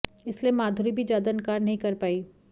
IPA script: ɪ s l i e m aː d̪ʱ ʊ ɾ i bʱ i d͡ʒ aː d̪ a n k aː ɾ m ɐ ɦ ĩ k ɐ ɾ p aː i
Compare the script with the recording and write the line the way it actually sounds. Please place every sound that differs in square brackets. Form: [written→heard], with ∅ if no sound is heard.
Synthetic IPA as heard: ɪ s l i e m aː d̪ʱ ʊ ɾ i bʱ i d͡ʒ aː d̪ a n k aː ɾ [m→n] ɐ ɦ ĩ k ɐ ɾ p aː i